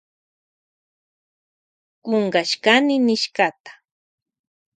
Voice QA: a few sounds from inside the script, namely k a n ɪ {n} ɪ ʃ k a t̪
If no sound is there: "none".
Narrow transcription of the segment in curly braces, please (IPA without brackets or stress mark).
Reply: n